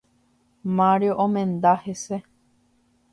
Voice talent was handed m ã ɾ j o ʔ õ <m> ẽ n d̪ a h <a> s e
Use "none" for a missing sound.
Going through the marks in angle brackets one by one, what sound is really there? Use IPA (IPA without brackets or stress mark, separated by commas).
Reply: m, e